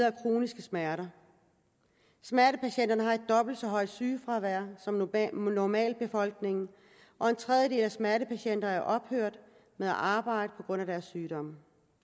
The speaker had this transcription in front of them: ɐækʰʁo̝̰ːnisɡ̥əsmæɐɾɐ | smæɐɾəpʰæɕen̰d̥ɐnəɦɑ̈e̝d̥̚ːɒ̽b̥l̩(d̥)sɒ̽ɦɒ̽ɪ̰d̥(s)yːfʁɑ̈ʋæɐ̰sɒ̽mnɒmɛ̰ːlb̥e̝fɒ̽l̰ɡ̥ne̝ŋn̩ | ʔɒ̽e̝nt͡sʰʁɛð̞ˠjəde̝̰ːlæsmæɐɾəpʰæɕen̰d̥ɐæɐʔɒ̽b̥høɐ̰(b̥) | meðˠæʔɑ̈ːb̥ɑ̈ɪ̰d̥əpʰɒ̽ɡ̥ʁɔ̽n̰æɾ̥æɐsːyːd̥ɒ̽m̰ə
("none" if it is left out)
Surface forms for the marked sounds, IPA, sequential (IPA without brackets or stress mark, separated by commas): d̥, s, d̥